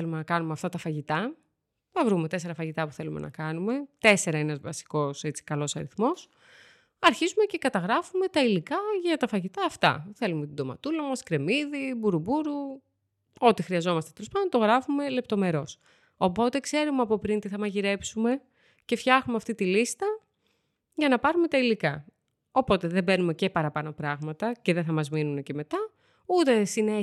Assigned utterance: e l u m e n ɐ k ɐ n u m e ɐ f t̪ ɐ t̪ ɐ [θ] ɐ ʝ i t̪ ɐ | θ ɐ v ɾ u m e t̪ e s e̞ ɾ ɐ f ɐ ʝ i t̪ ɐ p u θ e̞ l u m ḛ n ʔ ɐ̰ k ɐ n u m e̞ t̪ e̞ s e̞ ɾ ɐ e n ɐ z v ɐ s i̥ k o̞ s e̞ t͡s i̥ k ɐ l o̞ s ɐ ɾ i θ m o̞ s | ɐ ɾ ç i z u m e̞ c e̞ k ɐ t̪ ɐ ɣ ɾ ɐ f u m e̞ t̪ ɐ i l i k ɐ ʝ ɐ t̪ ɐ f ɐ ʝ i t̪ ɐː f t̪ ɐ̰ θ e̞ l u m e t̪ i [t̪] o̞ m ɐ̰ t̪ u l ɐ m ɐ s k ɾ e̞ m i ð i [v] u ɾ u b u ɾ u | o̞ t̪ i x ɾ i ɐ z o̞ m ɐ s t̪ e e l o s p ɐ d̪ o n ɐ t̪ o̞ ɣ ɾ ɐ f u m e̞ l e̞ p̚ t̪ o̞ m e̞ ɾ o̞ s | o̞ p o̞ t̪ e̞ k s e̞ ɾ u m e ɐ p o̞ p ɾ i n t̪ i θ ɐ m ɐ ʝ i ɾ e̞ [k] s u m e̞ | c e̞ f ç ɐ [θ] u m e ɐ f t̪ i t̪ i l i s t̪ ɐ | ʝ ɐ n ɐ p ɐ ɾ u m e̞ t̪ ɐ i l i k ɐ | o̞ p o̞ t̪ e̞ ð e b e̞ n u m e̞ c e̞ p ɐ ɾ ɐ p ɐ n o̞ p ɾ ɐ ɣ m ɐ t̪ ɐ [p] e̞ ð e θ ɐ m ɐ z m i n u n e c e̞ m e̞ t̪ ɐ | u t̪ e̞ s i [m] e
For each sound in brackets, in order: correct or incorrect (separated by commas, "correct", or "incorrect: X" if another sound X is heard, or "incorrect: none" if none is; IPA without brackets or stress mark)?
incorrect: f, incorrect: d̪, incorrect: b, incorrect: p, incorrect: x, incorrect: c, incorrect: n